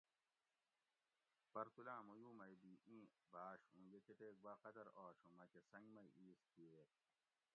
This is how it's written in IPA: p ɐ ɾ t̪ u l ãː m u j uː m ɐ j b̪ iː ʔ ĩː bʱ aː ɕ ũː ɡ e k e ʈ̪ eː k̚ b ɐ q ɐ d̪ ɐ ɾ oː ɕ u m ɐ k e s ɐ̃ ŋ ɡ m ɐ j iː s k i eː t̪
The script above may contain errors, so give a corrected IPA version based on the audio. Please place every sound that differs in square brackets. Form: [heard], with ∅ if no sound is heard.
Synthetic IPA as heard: p ɐ ɾ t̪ u l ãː m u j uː m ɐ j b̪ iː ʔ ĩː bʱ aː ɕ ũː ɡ e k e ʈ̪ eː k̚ b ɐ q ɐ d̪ ɐ ɾ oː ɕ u m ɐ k e s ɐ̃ ŋ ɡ m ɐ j iː s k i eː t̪